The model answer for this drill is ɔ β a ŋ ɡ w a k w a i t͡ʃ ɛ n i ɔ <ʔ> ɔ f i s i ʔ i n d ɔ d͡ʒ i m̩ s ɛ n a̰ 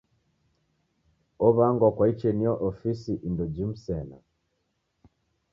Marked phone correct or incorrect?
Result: correct